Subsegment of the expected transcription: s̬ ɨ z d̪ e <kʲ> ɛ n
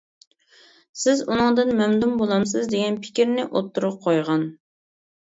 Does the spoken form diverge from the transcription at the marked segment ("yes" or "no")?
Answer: yes